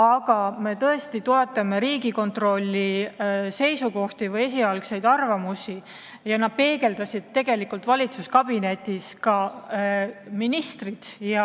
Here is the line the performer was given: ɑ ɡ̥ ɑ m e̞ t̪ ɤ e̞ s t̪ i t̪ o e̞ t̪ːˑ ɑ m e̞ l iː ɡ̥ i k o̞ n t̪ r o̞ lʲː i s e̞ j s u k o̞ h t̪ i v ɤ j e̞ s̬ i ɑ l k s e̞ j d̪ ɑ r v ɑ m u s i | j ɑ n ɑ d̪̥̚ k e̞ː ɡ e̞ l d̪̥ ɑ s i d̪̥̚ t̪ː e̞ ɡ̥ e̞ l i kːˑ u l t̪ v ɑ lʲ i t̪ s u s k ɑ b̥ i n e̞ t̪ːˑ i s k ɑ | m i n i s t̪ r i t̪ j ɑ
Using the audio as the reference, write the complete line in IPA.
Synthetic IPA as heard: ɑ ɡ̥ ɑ m e̞ t̪ ɤ e̞ s t̪ i t̪ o e̞ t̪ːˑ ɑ m e̞ ɾ iː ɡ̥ i k o̞ n t̪ r o̞ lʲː i s e̞ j s u k o̞ h t̪ i v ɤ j e̞ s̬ i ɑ l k s e̞ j d̪ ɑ r v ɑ m u s i | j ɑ n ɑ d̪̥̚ p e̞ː ɡ e̞ l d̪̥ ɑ s i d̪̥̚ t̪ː e̞ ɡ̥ e̞ l i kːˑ u l t̪ v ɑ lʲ i t̪ s u s k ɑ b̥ i n e̞ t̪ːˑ i s k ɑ | m i n i s t̪ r i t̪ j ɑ

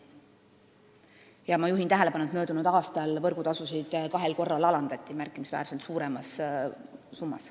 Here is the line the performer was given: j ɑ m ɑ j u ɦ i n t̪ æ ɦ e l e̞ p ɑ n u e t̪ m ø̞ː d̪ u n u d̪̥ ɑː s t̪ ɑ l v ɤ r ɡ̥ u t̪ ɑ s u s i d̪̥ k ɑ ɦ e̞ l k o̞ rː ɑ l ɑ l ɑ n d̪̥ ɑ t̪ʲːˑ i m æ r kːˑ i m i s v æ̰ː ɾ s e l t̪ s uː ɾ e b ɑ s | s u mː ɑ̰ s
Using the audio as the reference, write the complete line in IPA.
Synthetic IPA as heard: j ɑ m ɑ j u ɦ i n t̪ æ ɦ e l e̞ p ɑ n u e t̪ m ø̞ː d̪ u n u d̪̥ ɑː s t̪ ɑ l v ɤ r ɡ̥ u t̪ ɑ s u s i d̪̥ k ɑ ɦ e̞ l k o̞ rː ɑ l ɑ l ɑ n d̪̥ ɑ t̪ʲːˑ i m æ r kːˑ i m i s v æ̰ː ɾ s e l t̪ s uː ɾ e m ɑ s | s u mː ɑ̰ s

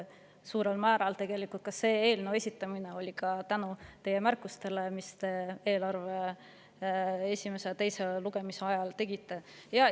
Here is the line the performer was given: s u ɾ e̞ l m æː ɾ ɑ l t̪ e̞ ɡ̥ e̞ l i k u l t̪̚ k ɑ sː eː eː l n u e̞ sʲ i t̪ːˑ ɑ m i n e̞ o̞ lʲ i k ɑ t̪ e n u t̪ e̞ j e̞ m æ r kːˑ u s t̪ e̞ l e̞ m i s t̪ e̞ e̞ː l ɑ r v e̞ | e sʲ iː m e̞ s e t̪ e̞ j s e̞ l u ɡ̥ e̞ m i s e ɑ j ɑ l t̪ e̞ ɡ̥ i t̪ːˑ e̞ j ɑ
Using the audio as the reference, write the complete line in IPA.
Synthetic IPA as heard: s uː ɾ e̞ l m æː ɾ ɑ l t̪ e̞ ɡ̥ e̞ l i k u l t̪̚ k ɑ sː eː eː l n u e̞ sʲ i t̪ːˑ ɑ m i n e̞ o̞ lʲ i k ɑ t̪ æ n u t̪ e̞ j e̞ m æ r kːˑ u s t̪ e̞ l e̞ m i s t̪ e̞ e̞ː l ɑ r v e̞ | e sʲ i m e̞ s e t̪ e̞ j s e̞ l u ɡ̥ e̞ m i s e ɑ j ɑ l t̪ e̞ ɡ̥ i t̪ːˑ e̞ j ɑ

